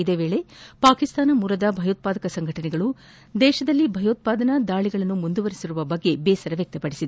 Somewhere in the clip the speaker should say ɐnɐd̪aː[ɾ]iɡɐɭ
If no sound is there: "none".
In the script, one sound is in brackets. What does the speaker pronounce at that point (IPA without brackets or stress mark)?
ɭ